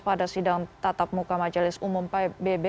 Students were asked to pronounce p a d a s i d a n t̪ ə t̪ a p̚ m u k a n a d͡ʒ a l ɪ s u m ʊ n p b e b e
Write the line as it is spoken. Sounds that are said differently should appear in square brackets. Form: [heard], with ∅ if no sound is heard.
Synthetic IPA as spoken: p a d a s i d a [ŋ] t̪ [a] t̪ a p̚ m u k a [m] a d͡ʒ a l ɪ s u m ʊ [m] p b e b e